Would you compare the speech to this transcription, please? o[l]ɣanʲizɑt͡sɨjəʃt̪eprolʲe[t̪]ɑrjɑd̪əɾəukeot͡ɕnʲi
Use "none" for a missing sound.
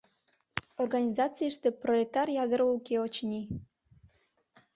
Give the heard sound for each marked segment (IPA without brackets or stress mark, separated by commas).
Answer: r, t̪